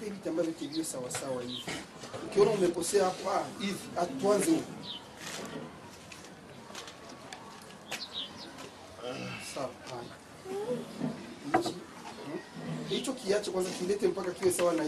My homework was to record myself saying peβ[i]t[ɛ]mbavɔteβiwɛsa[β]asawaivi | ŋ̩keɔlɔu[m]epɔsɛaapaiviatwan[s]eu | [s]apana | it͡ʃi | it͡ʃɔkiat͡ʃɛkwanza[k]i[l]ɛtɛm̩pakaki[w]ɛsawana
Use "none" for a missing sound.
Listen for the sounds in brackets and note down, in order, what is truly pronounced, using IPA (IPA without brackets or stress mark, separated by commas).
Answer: i, a, w, m, z, s, k, l, w